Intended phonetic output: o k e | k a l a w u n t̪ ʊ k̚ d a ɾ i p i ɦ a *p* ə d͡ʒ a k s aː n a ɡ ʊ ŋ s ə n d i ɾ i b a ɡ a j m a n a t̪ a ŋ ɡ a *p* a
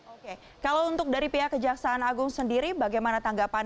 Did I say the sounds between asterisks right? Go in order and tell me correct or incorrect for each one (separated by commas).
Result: incorrect, correct